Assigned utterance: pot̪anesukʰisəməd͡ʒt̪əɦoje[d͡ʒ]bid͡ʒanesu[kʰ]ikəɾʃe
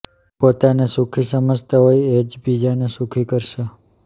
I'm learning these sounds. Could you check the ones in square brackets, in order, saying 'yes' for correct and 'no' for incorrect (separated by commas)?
yes, yes